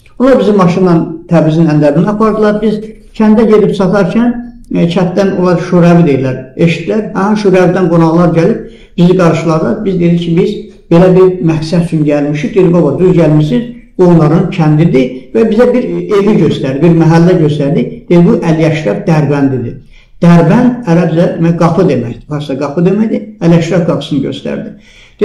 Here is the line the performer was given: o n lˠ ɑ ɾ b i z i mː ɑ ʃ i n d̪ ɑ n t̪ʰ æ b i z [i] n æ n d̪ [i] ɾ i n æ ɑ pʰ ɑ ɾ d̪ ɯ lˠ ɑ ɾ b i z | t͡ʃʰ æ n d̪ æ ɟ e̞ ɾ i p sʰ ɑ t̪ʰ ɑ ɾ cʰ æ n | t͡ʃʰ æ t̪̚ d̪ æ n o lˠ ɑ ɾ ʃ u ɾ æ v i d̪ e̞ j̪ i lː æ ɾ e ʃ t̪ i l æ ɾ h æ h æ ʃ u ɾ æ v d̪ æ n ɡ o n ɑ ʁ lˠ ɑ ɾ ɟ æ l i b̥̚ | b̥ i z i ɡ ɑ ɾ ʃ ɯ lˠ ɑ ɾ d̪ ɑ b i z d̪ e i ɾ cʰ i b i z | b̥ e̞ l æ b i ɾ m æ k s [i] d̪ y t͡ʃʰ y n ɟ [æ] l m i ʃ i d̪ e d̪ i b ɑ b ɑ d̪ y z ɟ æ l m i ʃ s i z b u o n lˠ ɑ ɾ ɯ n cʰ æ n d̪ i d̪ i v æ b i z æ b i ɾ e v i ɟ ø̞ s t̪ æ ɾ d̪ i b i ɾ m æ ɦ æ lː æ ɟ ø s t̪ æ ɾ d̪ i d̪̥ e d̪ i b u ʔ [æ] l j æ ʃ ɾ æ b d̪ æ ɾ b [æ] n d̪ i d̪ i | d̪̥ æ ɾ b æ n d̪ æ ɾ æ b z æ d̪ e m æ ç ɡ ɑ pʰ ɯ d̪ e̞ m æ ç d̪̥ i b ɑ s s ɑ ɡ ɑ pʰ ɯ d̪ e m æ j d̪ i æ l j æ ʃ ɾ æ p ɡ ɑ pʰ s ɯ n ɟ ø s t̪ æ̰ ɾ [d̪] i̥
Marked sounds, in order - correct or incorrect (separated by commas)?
correct, incorrect, incorrect, correct, correct, correct, correct